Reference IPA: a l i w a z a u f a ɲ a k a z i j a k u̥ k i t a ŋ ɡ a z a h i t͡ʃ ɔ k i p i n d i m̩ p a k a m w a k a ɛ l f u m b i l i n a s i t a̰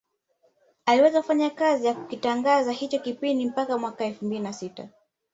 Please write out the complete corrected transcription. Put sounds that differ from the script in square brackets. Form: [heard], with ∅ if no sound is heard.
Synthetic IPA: a l i w [ɛ] z a u f a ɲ a k a z i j a k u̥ k i t a ŋ ɡ a z a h i t͡ʃ ɔ k i p i n d i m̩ p a k a m w a k a ɛ l f u m b i l i n a s i t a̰